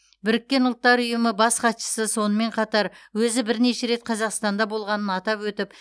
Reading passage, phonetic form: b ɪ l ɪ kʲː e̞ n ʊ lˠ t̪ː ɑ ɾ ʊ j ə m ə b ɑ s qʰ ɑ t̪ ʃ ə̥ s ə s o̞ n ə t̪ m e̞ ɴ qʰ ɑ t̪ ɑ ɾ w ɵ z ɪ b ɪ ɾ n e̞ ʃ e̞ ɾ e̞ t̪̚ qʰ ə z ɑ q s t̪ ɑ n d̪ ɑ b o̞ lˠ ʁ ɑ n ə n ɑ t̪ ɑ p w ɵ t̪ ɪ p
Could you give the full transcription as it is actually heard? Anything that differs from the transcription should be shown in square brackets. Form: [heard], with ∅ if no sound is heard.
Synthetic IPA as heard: b ɪ [ɾ] ɪ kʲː e̞ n ʊ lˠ t̪ː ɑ ɾ ʊ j ə m ə b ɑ s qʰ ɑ t̪ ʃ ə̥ s ə s o̞ n ə [∅] m e̞ ɴ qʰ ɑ t̪ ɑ ɾ w ɵ z ɪ b ɪ ɾ n e̞ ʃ e̞ ɾ e̞ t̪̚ qʰ [ɑ] z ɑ q s t̪ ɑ n d̪ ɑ b o̞ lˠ ʁ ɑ n ə n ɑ t̪ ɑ p w ɵ t̪ ɪ p